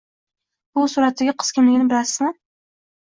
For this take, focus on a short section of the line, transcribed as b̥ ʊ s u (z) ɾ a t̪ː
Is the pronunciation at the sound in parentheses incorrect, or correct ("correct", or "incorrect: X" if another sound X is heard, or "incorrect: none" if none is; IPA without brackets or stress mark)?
incorrect: none